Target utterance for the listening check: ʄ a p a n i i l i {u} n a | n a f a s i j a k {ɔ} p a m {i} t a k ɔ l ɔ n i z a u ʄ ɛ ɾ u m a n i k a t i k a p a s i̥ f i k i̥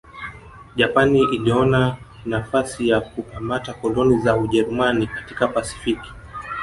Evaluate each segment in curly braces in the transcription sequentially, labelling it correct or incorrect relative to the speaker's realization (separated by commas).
incorrect, incorrect, incorrect